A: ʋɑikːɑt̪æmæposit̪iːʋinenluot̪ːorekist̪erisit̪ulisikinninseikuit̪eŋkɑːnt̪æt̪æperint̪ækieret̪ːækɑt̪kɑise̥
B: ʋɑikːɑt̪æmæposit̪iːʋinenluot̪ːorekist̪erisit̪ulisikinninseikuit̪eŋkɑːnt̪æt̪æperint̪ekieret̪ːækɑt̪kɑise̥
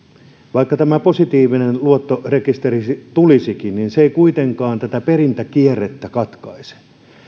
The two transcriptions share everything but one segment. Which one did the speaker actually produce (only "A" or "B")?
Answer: A